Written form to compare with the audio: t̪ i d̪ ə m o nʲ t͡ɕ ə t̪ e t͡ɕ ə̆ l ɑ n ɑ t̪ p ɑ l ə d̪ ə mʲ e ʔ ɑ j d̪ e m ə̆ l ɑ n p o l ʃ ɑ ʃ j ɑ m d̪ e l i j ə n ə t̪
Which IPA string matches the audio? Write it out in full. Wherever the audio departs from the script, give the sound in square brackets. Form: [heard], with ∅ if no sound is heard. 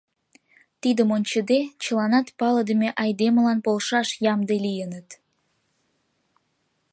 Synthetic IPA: t̪ i d̪ ə m o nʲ t͡ɕ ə [d̪] e t͡ɕ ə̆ l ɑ n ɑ t̪ p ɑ l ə d̪ ə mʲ e ʔ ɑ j d̪ e m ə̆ l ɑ n p o l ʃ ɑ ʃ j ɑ m d̪ e l i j ə n ə t̪